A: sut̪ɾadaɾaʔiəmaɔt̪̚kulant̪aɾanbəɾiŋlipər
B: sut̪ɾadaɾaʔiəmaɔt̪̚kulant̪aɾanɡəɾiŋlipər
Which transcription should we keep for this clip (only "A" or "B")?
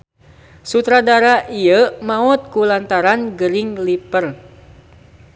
B